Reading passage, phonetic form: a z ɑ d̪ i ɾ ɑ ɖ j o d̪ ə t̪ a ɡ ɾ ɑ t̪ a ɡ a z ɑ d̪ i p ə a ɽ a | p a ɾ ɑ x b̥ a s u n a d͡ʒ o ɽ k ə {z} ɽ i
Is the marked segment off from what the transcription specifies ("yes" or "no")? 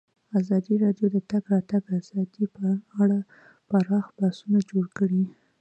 yes